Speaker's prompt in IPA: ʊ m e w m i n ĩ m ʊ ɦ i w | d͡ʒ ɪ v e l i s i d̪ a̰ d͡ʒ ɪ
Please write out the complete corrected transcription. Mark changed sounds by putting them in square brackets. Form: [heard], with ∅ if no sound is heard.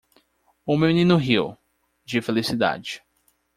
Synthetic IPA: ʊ m e w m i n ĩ [n] ʊ ɦ i w | d͡ʒ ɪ [f] e l i s i d̪ a̰ d͡ʒ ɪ

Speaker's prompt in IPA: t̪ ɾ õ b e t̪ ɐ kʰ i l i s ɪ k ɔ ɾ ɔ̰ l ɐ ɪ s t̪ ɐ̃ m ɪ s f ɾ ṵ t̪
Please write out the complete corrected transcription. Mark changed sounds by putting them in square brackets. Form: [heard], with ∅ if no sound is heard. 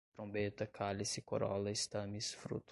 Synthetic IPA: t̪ ɾ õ b e t̪ ɐ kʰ [a] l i s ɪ k [o] ɾ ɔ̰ l ɐ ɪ s t̪ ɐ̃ m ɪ s f ɾ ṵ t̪

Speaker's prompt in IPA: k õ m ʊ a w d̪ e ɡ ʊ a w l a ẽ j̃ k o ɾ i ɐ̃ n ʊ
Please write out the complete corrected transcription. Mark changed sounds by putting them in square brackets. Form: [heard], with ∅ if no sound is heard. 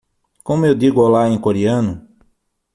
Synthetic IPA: k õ m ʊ [e] w d̪ [i] ɡ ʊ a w l a ẽ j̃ k o ɾ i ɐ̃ n ʊ

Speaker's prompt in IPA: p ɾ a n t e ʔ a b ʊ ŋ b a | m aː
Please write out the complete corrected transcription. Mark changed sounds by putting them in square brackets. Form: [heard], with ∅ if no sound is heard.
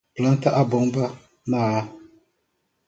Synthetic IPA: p [l] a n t [a] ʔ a b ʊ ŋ b a | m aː

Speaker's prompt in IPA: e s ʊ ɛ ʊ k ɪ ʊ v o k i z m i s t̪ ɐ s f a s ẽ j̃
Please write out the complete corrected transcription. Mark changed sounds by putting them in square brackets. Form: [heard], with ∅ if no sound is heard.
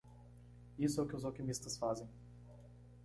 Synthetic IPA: [i] s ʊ ɛ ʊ k ɪ ʊ [z] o k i [∅] m i s t̪ ɐ s f a [z] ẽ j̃

